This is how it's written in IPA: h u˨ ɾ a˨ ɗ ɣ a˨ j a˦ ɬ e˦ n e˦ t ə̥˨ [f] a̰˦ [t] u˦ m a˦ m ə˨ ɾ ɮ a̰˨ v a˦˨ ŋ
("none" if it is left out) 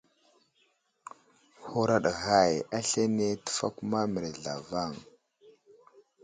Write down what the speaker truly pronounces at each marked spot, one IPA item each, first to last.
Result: f, k

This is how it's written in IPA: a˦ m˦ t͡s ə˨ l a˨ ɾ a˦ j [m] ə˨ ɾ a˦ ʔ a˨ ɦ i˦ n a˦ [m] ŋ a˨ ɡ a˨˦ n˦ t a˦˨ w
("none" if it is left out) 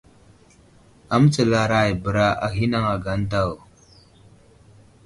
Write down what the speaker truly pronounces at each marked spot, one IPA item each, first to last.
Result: b, none

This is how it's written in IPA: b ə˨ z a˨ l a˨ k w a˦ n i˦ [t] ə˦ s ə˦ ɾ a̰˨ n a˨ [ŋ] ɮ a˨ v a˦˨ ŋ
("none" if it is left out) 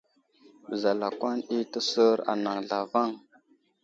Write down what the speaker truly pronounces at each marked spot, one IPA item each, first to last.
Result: t, ŋ

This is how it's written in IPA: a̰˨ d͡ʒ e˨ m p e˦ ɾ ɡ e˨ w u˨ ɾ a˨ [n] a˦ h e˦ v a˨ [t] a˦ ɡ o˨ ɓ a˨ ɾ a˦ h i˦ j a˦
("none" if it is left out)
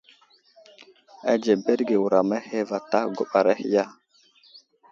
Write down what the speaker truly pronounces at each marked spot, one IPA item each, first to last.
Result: m, t

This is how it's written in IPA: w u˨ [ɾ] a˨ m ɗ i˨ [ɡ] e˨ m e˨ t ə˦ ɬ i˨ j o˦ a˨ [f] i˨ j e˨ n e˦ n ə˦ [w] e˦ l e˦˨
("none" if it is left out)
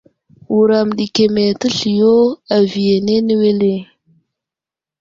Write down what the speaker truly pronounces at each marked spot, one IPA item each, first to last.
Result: ɾ, k, v, w

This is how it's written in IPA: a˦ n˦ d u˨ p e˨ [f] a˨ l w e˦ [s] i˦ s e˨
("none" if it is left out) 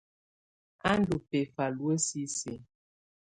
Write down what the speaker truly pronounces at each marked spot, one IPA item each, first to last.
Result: f, s

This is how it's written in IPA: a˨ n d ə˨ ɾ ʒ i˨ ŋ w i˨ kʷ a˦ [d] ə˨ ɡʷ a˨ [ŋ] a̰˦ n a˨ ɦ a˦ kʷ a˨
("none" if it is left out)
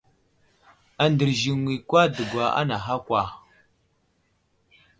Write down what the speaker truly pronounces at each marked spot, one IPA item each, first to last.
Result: d, none

